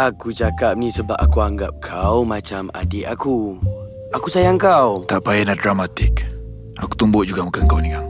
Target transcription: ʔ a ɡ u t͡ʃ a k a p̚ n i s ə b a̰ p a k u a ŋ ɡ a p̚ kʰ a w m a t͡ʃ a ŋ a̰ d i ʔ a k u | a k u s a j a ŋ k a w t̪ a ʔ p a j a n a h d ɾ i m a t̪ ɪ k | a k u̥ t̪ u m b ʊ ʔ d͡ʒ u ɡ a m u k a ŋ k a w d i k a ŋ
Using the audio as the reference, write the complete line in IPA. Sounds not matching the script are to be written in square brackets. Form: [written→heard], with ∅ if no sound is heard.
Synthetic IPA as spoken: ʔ a [ɡ→k] u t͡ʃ a k a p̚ n i s ə b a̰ p a k u a ŋ ɡ a p̚ kʰ a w m a t͡ʃ a [ŋ→m] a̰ d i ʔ a k u | a k u s a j a ŋ k a w t̪ a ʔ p a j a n a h d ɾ [i→a] m a t̪ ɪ k | a k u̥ t̪ u m b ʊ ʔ d͡ʒ u ɡ a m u k a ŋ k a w [d→n] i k a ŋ